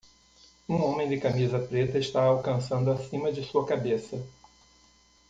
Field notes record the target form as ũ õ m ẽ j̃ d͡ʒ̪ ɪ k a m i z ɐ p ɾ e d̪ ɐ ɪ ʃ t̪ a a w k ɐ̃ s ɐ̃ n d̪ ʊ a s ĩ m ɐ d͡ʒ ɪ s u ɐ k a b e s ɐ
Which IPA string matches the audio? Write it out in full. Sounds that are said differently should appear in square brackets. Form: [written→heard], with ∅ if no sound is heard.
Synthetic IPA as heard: ũ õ m ẽ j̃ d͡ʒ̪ ɪ k a m i z ɐ p ɾ e [d̪→t̪] ɐ ɪ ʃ t̪ a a w k ɐ̃ s ɐ̃ n d̪ ʊ a s ĩ m ɐ d͡ʒ ɪ s u ɐ k a b e s ɐ